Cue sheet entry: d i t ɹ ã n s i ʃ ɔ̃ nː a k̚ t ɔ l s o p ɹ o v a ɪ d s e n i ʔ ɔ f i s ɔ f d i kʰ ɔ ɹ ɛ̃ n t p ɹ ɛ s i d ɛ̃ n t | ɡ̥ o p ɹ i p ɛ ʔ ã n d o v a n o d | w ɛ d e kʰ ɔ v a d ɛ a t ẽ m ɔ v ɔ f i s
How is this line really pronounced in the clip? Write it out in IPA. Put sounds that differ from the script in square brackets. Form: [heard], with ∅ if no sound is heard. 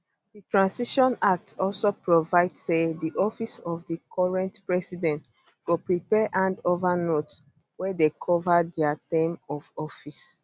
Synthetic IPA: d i t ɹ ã n s i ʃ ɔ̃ [n] a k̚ t ɔ l s o p ɹ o v a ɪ d s e [d] i ʔ ɔ f i s ɔ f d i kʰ ɔ ɹ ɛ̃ n t p ɹ ɛ s i d ɛ̃ n t | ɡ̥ o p ɹ i p ɛ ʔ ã n d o v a n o [t] | w ɛ d e kʰ ɔ v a d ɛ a t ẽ m ɔ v ɔ f i s